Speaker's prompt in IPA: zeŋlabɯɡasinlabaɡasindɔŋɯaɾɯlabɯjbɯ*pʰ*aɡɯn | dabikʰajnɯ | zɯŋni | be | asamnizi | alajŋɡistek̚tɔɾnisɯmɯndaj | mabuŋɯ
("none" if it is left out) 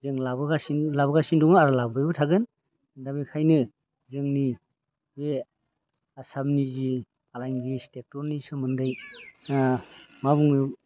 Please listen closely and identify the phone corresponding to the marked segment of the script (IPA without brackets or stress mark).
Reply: tʰ